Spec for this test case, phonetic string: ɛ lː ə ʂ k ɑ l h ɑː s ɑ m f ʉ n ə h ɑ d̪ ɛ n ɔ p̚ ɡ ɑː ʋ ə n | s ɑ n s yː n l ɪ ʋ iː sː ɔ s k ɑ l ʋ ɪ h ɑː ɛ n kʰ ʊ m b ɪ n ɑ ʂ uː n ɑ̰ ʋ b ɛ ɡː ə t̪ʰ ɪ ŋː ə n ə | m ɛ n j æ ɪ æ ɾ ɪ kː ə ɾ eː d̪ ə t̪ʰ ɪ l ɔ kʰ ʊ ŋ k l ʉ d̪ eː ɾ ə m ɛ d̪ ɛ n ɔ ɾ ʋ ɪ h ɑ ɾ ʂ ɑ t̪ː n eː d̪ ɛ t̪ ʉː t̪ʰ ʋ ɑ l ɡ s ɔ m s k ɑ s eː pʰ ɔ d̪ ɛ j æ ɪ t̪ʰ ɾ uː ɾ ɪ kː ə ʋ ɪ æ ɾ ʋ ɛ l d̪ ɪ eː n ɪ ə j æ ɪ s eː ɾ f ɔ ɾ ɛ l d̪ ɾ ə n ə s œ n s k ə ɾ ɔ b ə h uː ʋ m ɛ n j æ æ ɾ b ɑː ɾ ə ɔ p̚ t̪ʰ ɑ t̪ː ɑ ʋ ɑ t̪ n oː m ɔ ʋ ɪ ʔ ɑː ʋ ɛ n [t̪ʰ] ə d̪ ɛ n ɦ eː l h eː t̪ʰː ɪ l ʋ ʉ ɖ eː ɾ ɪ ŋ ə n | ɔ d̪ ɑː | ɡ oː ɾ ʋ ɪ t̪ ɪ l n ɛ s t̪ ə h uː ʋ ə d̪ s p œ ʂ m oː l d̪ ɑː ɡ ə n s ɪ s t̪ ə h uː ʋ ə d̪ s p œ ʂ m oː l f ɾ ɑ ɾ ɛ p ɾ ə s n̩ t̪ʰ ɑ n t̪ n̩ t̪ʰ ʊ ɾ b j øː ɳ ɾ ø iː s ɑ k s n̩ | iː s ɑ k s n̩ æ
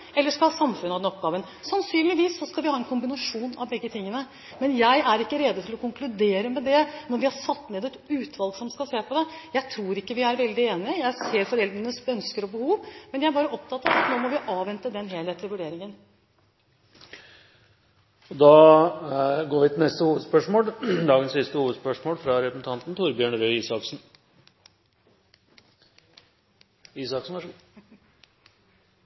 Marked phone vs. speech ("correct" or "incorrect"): incorrect